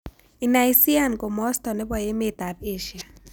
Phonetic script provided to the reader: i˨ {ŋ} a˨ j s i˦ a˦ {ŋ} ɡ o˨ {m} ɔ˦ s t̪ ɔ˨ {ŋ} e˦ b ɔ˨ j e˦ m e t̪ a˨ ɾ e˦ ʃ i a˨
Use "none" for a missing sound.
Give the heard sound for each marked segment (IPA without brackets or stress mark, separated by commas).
n, n, m, n